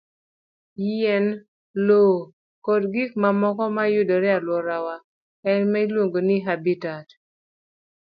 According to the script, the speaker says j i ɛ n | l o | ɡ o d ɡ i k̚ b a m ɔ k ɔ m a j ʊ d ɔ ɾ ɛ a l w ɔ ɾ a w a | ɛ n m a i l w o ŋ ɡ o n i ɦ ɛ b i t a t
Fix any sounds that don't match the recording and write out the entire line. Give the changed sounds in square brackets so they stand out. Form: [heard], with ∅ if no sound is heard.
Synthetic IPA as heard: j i ɛ n | l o | [k] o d ɡ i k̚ [m] a m ɔ k ɔ m a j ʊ d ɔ ɾ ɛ a l w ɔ ɾ a w a | ɛ n m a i l w o ŋ ɡ o n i ɦ [a] b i t a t